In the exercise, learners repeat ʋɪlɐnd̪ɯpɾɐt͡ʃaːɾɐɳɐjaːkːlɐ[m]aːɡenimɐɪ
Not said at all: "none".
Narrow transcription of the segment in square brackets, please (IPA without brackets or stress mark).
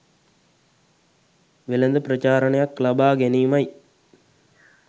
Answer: b